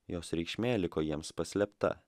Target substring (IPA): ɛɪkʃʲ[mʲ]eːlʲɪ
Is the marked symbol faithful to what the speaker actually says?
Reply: yes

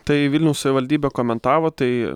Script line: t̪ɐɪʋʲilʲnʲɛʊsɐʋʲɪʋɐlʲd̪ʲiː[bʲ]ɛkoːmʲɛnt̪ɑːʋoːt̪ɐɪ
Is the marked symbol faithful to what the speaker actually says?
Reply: yes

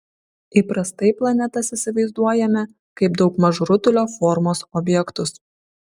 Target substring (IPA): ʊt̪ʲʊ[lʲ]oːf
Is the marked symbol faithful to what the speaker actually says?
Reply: yes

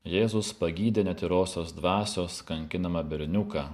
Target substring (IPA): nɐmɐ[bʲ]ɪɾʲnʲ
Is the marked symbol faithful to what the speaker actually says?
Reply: yes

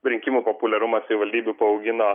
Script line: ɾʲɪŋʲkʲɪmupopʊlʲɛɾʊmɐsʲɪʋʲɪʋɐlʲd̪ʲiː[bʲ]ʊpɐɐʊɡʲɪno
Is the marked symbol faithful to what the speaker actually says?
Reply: yes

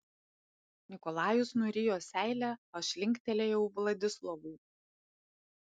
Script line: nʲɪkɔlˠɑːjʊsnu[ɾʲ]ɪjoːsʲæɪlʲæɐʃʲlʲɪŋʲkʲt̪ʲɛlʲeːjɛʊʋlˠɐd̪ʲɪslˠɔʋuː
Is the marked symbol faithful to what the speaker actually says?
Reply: yes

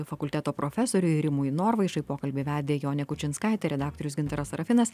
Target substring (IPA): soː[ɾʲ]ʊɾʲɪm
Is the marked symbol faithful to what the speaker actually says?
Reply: yes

